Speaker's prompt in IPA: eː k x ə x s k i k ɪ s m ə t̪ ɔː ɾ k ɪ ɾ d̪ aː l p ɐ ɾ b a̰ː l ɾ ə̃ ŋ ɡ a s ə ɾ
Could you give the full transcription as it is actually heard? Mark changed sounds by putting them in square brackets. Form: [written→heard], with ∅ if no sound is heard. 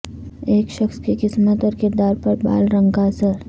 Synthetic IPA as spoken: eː k [x→ʃ] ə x s k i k ɪ s m ə t̪ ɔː ɾ k ɪ ɾ d̪ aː [l→ɾ] p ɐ ɾ b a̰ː l ɾ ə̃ ŋ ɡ a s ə ɾ